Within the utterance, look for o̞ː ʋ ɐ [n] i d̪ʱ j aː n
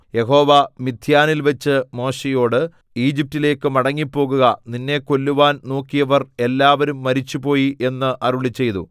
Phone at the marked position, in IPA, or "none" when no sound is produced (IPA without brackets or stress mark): m